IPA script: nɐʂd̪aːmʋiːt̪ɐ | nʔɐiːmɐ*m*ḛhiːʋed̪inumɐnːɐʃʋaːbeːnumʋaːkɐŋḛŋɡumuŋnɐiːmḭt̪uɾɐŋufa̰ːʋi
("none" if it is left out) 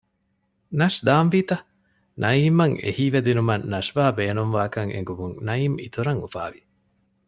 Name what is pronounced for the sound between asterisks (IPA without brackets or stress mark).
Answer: ŋ